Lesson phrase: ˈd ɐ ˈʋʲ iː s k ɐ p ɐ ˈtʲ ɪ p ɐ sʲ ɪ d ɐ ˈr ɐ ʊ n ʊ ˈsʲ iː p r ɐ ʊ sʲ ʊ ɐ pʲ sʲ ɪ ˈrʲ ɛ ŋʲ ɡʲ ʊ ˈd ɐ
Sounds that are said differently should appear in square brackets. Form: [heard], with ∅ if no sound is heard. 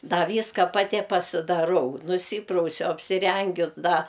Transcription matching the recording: ˈd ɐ ˈʋʲ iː s k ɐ p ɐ ˈtʲ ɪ p ɐ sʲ ɪ d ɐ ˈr ɐ ʊ n ʊ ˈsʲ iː p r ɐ ʊ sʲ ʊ ɐ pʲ sʲ ɪ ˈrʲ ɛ ŋʲ ɡʲ ʊ ˈd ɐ